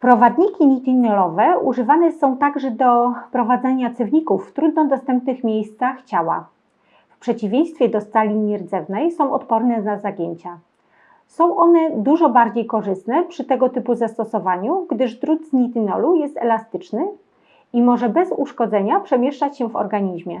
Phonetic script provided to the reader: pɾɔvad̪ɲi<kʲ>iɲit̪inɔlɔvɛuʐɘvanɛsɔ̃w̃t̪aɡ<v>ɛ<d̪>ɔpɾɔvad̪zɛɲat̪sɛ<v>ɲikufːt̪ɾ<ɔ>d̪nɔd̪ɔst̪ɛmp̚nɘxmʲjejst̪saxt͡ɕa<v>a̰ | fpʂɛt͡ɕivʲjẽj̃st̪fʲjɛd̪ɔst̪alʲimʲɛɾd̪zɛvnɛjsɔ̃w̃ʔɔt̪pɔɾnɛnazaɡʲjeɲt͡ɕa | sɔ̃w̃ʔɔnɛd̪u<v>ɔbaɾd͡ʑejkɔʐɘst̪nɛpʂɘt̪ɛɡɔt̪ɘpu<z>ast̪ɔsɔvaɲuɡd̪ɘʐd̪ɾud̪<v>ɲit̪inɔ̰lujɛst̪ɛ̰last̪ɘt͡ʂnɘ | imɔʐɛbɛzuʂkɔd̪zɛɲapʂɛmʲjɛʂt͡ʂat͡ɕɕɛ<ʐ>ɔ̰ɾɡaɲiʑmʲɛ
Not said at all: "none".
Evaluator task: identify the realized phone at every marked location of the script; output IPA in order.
kʲ, ʐ, d̪, v, u, w, ʐ, z, z, v

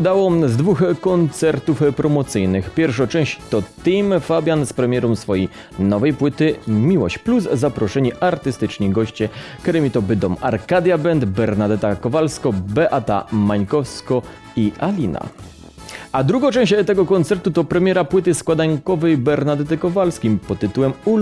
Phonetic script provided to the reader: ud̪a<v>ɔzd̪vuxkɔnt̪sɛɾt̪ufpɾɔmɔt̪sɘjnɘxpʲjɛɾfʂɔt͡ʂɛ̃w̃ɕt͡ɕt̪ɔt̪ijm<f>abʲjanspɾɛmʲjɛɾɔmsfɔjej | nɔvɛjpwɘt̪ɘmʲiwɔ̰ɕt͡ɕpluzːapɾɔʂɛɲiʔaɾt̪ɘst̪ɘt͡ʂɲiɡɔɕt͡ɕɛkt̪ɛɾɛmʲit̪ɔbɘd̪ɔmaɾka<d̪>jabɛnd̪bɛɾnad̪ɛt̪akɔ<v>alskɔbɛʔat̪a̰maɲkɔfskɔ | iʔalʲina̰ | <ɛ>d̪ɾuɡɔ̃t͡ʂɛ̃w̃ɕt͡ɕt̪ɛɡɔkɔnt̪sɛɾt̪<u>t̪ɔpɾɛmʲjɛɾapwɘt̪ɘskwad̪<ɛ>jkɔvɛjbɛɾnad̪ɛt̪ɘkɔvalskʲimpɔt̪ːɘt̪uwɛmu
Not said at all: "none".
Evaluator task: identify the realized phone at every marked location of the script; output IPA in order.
w, f, d̪, v, a, u, a

